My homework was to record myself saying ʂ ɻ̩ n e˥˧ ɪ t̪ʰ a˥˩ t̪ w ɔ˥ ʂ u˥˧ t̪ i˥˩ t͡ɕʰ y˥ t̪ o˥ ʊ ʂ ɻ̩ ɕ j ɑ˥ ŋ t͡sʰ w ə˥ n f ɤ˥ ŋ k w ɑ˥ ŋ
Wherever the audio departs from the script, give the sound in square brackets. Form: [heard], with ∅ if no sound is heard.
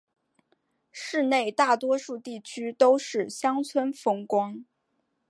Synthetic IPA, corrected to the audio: ʂ ɻ̩ n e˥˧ ɪ [t̪] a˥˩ t̪ w ɔ˥ ʂ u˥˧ t̪ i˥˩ t͡ɕʰ y˥ t̪ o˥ ʊ ʂ ɻ̩ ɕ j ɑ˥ ŋ t͡sʰ w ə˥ n f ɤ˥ ŋ k w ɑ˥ ŋ